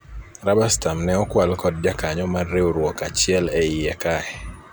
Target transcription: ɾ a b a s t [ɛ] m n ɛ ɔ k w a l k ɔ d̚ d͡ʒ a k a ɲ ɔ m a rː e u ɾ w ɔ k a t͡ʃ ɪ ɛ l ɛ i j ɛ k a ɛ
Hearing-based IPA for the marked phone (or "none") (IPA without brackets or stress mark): a